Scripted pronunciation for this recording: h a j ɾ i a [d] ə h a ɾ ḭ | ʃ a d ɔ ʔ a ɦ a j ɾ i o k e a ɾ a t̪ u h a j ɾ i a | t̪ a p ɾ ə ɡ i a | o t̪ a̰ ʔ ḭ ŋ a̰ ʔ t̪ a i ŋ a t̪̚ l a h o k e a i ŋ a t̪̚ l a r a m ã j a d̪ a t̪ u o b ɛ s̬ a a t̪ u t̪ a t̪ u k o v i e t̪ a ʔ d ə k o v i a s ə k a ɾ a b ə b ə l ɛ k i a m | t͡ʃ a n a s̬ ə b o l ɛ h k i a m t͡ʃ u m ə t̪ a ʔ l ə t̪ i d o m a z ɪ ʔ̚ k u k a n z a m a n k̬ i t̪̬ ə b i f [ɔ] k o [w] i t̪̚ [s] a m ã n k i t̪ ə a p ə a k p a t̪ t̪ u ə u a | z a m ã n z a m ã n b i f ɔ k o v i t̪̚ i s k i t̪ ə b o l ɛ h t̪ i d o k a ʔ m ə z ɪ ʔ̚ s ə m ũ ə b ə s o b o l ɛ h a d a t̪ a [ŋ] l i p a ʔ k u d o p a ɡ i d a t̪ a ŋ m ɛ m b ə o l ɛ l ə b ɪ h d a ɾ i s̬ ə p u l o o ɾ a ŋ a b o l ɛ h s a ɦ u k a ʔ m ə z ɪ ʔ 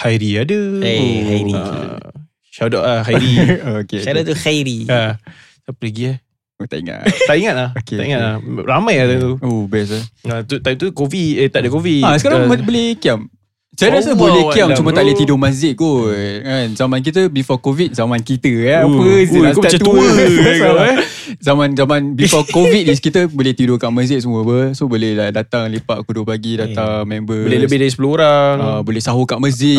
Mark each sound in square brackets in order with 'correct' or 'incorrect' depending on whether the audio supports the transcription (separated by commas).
correct, correct, incorrect, incorrect, correct